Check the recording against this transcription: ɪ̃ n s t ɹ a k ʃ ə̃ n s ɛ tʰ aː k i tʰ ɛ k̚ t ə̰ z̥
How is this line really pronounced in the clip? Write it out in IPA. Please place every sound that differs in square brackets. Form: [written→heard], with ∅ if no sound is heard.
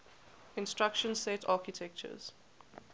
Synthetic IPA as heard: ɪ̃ n s t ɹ a k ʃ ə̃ n s ɛ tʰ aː k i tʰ ɛ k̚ [t→t͡ʃ] ə̰ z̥